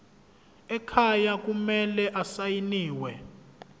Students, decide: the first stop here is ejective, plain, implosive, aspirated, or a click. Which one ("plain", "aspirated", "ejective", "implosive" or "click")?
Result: aspirated